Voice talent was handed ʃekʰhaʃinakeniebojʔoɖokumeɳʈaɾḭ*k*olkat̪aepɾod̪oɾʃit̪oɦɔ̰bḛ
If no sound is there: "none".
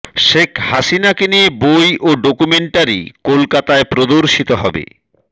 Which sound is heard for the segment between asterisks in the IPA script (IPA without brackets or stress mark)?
k